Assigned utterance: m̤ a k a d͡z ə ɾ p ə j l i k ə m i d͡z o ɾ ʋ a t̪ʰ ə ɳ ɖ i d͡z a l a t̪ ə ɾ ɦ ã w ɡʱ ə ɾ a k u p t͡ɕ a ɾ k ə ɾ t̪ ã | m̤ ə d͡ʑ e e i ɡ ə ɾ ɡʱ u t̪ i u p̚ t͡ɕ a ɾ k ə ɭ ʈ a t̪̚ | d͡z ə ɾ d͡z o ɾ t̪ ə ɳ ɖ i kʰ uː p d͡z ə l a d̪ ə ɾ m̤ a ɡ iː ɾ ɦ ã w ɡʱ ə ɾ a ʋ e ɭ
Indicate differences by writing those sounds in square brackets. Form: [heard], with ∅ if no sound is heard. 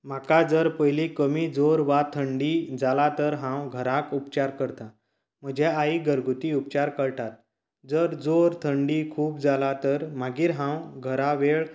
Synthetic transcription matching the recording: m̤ a k a d͡z ə ɾ p ə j l i k ə m i d͡z o ɾ ʋ a t̪ʰ ə ɳ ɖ i d͡z a l a t̪ ə ɾ ɦ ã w ɡʱ ə ɾ a k u p t͡ɕ a ɾ k ə ɾ t̪ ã | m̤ ə d͡ʑ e [a] i ɡ ə ɾ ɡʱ u t̪ i u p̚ t͡ɕ a ɾ k ə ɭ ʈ a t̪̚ | d͡z ə ɾ d͡z o ɾ [t̪ʰ] ə ɳ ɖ i kʰ uː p d͡z [a] l a [t̪] ə ɾ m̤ a ɡ iː ɾ ɦ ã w ɡʱ ə ɾ a ʋ e ɭ